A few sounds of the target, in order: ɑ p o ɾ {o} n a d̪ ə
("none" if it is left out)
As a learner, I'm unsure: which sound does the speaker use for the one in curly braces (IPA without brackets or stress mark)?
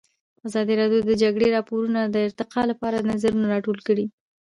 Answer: u